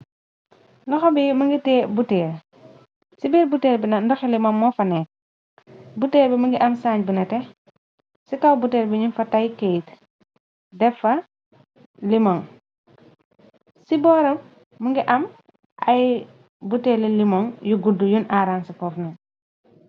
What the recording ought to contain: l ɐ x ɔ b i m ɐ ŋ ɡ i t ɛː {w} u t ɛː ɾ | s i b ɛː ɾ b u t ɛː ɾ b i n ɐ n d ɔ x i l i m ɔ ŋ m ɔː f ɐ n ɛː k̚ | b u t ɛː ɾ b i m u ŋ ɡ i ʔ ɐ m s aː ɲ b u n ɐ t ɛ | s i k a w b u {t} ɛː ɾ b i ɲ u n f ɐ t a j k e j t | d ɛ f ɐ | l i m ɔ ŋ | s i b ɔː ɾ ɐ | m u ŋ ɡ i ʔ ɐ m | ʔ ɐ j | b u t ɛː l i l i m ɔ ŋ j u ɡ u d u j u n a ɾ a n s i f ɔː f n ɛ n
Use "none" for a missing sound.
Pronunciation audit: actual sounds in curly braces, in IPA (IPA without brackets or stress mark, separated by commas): b, t